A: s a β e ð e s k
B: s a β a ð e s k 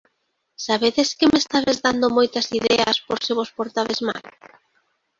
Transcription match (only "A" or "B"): A